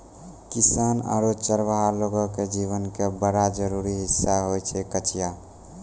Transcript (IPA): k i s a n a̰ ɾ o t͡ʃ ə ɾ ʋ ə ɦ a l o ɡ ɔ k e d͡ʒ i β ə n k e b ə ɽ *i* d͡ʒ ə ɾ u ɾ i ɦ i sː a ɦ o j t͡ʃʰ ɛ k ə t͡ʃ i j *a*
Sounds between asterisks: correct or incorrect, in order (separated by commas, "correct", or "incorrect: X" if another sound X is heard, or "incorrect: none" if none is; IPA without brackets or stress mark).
incorrect: a, correct